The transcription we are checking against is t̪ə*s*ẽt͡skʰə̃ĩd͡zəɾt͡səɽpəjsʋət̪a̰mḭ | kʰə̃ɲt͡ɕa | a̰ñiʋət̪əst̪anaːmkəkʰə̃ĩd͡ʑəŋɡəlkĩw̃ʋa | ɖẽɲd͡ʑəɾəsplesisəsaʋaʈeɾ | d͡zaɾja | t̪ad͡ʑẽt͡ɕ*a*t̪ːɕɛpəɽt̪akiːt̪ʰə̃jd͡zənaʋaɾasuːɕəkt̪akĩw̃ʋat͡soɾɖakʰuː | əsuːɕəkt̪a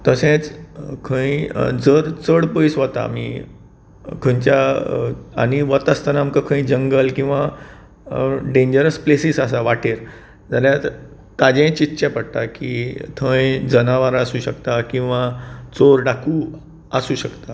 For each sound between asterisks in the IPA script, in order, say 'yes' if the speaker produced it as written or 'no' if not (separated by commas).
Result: yes, no